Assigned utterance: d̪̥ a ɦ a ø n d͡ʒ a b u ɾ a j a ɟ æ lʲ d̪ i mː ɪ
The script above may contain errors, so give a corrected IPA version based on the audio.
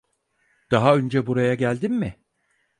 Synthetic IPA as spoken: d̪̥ a ɦ a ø n d͡ʒ ɛ b u ɾ a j a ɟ æ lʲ d̪ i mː ɪ